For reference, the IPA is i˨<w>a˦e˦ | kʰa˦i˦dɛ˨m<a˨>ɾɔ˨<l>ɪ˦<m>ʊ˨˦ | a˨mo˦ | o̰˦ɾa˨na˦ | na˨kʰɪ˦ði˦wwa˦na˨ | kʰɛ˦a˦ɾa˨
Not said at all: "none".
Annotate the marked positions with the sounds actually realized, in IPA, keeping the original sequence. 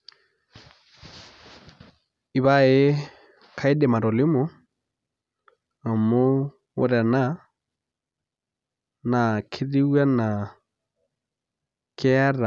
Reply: β, a˨, l, m

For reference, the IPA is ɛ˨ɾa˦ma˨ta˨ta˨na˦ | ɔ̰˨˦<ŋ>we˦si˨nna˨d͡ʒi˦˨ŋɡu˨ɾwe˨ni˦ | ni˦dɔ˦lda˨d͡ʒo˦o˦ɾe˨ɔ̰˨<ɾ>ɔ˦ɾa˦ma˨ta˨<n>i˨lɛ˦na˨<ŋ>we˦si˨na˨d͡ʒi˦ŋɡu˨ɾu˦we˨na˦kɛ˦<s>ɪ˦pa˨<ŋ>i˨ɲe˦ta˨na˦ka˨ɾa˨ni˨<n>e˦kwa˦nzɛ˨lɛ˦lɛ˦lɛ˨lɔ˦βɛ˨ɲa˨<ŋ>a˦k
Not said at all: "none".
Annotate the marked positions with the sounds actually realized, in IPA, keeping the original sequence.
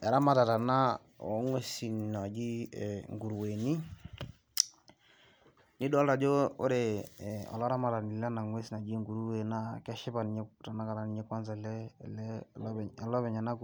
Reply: ŋ, l, n, ŋ, ʃ, n, ɲ, n

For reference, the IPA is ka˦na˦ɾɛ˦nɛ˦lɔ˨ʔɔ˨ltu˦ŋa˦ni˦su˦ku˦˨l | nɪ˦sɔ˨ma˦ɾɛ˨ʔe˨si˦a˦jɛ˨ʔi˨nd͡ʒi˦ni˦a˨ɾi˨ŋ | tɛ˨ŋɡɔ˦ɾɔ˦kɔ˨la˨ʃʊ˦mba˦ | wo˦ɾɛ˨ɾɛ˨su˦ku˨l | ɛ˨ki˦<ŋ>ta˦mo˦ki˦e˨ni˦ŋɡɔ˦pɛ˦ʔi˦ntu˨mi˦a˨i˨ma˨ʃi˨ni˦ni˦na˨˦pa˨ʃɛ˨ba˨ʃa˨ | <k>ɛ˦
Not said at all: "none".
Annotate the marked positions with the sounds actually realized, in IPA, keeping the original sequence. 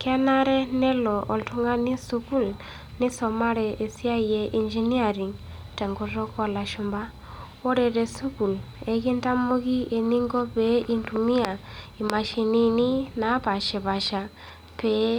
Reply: n, p

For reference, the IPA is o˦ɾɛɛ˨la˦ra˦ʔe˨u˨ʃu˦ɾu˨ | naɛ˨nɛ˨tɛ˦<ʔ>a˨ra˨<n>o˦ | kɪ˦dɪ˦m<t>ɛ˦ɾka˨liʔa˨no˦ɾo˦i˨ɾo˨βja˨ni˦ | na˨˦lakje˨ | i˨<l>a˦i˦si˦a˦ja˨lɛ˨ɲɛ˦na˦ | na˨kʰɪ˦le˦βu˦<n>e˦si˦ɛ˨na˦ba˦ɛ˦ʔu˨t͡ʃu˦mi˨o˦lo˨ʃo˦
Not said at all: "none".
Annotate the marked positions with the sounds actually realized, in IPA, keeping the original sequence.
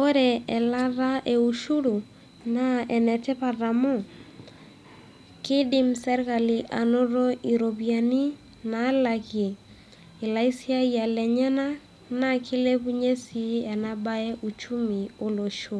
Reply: p, m, s, l, ɲ

